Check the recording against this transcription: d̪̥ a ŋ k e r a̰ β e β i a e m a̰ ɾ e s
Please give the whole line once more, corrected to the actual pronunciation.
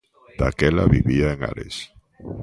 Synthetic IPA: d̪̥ a k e l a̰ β i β i a e ŋ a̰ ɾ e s